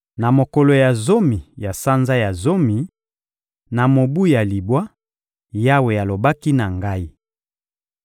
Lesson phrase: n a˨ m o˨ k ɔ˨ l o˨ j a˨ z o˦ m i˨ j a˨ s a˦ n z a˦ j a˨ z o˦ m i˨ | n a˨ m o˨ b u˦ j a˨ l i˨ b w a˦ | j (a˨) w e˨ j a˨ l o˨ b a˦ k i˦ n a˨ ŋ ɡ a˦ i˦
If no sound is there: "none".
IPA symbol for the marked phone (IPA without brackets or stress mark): a˦